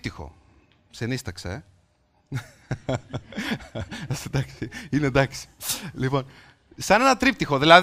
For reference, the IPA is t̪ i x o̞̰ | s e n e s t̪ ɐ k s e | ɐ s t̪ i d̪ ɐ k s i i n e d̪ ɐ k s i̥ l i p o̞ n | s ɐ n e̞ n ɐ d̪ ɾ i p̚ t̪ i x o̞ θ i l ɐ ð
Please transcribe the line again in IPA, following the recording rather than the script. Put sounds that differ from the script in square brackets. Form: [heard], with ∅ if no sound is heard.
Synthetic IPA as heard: t̪ i x o̞̰ | s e n [i] s t̪ ɐ k s e | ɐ s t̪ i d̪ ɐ k s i i n e d̪ ɐ k s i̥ l i p o̞ n | s ɐ n e̞ n ɐ [t̪] ɾ i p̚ t̪ i x o̞ [ð] i l ɐ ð